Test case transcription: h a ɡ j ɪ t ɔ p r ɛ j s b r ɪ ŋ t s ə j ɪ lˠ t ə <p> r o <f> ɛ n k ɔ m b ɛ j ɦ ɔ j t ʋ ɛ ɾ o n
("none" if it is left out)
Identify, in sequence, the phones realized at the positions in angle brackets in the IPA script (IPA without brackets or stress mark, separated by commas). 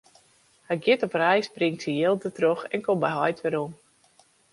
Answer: t, x